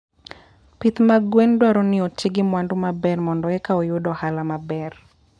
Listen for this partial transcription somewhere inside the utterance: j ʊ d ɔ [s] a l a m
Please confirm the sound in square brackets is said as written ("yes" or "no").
no